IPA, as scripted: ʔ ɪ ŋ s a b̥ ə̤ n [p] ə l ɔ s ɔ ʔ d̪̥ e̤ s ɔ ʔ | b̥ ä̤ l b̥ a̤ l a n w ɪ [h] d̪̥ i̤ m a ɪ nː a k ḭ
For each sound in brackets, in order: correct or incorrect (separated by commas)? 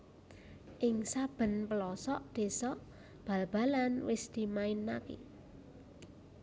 correct, incorrect